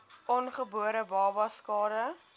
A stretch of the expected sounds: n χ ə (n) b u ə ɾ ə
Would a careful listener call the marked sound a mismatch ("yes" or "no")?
yes